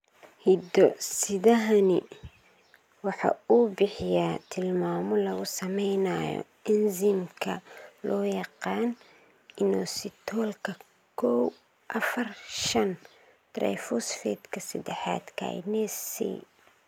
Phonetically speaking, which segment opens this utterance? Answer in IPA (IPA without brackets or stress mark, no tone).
h